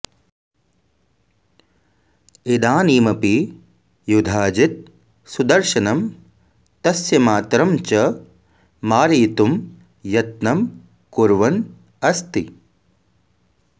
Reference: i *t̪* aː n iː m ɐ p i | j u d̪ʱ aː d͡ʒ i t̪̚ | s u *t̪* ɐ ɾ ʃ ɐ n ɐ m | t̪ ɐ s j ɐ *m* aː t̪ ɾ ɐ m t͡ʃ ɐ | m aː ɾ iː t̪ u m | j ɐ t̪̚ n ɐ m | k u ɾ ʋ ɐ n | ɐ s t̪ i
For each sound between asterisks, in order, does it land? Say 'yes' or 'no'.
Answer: no, no, yes

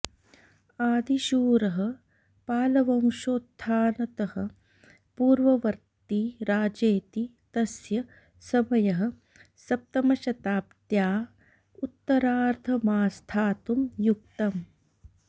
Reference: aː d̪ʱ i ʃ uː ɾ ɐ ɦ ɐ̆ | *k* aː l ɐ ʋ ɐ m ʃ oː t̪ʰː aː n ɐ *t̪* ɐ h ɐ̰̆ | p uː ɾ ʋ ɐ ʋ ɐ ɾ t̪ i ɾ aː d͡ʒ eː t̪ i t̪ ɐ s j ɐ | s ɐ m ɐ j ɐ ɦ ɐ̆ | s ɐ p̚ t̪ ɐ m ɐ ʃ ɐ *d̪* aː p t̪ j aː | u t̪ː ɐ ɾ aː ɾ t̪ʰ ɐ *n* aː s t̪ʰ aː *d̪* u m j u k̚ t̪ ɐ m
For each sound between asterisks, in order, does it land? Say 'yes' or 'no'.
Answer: no, yes, no, no, no

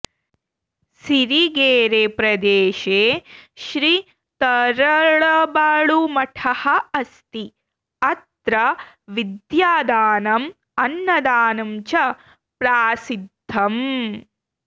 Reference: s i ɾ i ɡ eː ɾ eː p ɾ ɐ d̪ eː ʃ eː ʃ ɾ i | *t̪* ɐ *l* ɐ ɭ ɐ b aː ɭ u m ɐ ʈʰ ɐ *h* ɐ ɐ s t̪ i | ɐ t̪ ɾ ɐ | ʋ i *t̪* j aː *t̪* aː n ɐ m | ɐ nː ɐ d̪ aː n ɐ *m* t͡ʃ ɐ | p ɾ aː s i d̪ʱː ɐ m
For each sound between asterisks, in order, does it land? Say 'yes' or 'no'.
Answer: yes, no, yes, no, no, yes

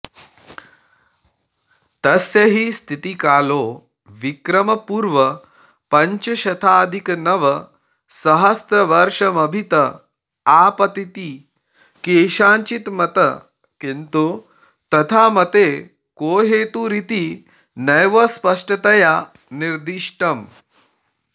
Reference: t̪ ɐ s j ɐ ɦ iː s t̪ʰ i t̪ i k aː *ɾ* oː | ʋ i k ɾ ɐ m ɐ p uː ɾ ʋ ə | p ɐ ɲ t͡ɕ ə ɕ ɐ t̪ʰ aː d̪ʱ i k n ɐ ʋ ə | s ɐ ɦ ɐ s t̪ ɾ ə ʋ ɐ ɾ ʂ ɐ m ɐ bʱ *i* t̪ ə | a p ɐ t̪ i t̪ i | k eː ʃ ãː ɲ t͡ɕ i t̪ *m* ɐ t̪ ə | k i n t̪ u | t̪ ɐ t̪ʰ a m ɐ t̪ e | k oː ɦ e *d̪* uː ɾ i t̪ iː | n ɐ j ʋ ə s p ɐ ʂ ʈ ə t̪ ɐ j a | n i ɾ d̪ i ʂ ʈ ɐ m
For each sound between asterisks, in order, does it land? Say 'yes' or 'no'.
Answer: no, yes, yes, no

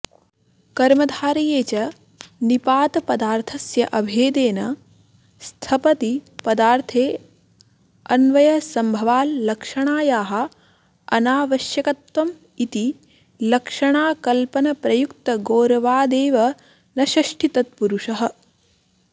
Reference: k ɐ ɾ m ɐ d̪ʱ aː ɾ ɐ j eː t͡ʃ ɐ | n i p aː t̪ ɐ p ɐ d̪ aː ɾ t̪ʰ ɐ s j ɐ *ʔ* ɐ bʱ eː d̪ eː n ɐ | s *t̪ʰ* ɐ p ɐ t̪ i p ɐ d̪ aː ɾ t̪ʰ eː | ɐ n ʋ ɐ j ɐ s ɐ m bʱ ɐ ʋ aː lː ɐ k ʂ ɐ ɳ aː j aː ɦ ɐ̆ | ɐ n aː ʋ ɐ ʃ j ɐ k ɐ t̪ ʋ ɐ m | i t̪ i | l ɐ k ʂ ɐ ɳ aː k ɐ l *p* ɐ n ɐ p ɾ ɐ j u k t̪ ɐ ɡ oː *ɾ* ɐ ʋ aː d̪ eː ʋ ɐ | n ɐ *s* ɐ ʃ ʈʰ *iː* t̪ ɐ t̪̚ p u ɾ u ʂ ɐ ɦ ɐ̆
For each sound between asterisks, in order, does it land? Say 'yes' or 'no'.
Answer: yes, yes, yes, yes, no, no

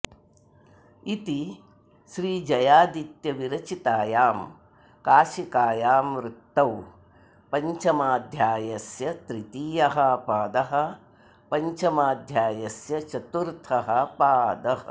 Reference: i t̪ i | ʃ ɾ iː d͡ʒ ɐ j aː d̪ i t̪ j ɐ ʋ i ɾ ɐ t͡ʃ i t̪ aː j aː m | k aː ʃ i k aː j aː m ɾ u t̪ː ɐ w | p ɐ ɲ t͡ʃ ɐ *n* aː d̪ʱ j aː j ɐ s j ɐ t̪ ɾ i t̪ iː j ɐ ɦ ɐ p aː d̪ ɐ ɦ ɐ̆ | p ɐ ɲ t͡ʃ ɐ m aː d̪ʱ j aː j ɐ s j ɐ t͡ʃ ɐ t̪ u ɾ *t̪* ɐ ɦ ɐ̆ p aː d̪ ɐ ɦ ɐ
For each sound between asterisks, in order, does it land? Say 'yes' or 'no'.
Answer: no, no

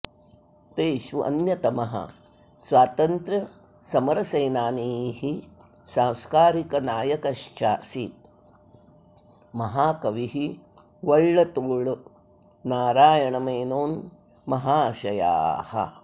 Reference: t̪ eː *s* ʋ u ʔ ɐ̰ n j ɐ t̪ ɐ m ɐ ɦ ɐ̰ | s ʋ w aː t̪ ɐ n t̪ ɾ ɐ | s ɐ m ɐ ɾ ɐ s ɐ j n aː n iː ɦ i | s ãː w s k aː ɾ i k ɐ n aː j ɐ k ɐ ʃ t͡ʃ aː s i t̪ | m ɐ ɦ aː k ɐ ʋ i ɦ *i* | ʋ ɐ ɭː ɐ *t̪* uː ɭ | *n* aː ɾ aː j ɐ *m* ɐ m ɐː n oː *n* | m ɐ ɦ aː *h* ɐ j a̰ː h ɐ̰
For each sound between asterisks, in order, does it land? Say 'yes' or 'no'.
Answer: no, yes, yes, yes, no, yes, no

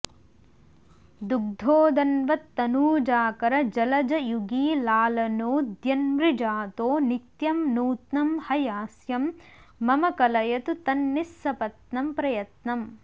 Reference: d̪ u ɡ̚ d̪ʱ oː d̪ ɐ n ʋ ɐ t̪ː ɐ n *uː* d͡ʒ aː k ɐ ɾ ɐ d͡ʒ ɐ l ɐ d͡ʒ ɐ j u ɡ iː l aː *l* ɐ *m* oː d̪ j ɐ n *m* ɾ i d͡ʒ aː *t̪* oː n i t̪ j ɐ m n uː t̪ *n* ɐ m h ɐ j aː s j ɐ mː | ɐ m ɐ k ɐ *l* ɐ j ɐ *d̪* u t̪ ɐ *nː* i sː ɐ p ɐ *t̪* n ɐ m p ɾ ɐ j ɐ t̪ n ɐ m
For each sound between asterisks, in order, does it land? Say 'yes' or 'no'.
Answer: yes, yes, no, yes, yes, yes, yes, no, yes, yes

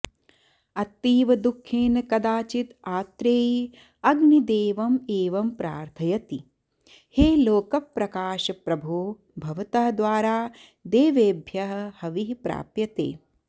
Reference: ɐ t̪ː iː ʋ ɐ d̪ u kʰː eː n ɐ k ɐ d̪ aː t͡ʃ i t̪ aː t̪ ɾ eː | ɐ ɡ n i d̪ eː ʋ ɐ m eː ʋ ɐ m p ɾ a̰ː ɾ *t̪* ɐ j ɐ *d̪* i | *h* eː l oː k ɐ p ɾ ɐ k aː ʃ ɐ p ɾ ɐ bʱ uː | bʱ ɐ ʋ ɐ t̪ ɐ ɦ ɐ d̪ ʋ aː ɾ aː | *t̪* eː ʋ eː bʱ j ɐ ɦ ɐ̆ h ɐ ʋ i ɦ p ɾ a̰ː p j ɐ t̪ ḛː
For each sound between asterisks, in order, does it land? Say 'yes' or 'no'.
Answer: no, no, yes, no

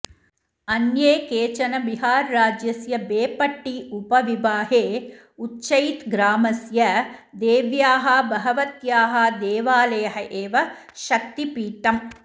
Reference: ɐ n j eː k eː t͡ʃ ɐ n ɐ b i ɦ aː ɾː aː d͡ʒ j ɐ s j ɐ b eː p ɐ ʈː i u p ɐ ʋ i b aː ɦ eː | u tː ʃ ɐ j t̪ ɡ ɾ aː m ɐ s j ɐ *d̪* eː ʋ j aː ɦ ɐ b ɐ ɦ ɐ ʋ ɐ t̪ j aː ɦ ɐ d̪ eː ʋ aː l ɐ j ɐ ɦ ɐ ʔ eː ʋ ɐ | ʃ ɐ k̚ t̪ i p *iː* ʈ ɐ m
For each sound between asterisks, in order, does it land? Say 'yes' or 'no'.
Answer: yes, yes

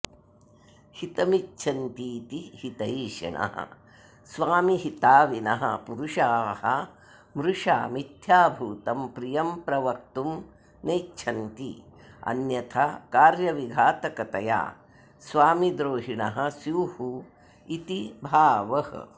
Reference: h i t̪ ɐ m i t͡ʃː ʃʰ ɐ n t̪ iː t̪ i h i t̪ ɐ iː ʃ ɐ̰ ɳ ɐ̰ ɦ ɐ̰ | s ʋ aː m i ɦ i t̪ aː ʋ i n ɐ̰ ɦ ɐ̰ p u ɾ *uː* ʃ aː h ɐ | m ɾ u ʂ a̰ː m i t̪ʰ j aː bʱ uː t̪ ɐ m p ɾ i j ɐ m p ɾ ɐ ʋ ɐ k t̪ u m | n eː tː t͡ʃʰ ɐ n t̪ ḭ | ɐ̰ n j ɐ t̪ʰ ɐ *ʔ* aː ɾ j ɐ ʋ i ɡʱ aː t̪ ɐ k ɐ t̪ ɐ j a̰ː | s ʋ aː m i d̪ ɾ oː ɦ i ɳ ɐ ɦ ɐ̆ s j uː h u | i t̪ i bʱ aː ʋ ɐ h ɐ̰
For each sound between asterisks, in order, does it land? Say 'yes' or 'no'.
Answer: no, no

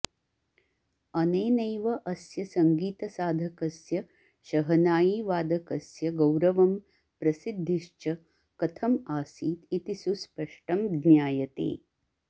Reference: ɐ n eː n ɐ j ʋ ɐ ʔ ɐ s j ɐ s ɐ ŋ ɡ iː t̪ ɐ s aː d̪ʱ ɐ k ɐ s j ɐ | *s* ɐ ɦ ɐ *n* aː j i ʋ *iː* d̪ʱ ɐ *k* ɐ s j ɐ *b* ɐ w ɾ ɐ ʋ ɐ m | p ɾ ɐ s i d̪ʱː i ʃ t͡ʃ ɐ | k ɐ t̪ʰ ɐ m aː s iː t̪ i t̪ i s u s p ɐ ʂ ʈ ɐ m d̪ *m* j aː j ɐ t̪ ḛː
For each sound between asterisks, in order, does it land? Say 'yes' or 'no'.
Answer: no, yes, no, yes, no, no

